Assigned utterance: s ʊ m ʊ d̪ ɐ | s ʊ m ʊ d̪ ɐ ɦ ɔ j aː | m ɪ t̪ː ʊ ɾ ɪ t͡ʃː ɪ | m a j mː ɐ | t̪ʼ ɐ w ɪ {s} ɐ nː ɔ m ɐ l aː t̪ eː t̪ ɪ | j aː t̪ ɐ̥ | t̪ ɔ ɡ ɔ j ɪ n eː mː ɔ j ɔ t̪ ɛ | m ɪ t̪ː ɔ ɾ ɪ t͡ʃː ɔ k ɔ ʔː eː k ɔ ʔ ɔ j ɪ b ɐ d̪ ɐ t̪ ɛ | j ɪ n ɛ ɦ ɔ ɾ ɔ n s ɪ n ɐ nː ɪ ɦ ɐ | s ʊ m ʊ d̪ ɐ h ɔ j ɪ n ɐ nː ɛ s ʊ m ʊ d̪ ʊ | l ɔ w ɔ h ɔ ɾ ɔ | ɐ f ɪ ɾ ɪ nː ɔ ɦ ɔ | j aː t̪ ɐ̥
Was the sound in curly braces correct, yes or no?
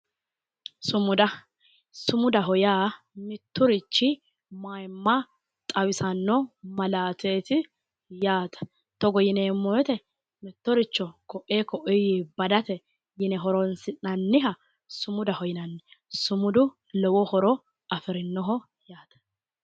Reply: yes